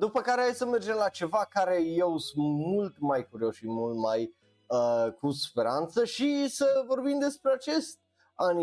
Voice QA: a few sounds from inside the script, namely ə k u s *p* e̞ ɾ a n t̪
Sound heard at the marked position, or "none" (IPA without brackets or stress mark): p